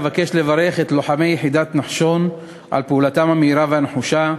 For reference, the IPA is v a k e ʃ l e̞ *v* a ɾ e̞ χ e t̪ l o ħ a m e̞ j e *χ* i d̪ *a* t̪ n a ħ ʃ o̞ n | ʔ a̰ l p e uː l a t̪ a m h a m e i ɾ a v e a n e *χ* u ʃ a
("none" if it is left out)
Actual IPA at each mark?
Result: v, ħ, a, ħ

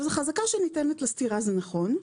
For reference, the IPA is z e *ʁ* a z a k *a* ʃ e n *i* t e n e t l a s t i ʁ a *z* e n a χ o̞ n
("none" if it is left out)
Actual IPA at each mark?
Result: χ, a, i, z

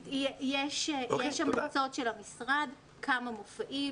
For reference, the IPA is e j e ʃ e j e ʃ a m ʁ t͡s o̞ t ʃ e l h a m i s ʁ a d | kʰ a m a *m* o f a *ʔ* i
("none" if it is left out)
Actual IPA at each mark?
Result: m, ʔ

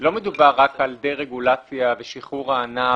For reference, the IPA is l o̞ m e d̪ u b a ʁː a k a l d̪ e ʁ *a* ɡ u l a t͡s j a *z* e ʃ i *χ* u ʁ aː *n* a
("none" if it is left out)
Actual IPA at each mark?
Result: e, v, χ, n

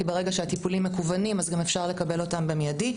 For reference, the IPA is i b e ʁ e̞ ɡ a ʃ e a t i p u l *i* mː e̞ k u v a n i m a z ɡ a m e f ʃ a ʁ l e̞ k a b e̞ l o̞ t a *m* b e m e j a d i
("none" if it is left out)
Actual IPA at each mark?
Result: i, m

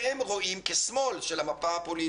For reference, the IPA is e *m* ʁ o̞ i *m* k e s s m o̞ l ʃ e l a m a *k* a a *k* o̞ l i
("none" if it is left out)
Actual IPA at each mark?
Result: m, m, p, p

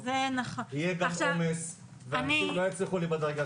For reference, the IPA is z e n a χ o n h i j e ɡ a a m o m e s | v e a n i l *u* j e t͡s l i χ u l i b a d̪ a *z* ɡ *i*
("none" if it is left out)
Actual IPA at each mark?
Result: o, ʁ, a

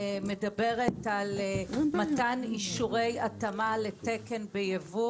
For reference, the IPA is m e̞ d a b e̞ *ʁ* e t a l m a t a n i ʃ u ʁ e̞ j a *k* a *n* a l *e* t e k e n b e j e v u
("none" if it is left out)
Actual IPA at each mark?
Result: ʁ, t, m, e

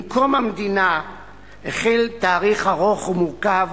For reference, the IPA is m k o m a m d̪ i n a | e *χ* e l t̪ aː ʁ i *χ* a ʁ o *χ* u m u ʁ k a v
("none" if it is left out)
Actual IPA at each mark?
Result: χ, χ, χ

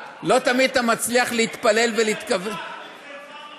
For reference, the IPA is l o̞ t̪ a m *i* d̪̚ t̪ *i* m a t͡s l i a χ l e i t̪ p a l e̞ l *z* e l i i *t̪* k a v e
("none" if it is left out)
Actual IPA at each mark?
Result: i, a, v, t̪

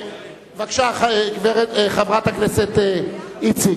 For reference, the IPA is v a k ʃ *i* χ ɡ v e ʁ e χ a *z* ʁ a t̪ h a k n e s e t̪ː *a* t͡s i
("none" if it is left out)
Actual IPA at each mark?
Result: a, v, i

